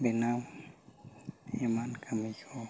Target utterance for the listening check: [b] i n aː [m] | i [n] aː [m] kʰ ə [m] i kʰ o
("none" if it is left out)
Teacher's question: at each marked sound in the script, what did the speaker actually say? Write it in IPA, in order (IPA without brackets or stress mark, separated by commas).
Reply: b, m, m, n, m